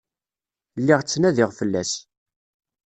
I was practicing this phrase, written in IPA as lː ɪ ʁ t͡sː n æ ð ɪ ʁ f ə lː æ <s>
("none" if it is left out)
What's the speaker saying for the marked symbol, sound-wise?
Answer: s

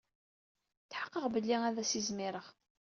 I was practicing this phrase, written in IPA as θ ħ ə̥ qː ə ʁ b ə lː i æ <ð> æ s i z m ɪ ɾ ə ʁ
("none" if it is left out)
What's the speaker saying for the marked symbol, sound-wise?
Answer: ð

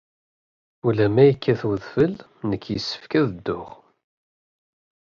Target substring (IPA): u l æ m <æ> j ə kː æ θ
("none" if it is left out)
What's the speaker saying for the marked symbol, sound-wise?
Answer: æ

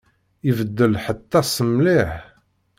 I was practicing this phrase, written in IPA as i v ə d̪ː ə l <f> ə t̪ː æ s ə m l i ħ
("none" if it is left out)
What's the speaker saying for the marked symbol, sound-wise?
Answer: ħ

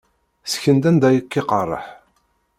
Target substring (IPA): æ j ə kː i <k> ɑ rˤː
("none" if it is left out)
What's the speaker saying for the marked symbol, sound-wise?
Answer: q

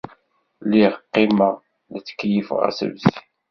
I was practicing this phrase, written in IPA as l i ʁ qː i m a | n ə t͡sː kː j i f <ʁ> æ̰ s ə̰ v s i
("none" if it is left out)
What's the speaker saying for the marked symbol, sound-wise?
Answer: ʁ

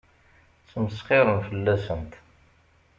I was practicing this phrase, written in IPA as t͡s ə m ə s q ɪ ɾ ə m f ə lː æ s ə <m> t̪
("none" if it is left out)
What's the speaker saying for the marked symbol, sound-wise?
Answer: n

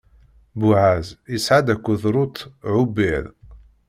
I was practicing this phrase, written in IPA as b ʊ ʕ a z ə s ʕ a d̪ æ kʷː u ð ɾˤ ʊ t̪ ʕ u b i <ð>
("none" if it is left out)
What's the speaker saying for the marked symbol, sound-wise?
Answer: ð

